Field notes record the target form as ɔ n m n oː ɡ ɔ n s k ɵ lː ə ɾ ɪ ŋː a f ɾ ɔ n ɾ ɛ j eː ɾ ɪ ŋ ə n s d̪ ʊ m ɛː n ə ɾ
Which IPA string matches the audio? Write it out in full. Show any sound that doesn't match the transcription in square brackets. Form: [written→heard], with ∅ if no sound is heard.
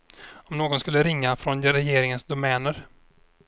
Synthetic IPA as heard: ɔ [n→∅] m n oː ɡ ɔ n s k ɵ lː ə ɾ ɪ ŋː a f ɾ ɔ n ɾ ɛ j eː ɾ ɪ ŋ ə n s d̪ ʊ m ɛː n ə ɾ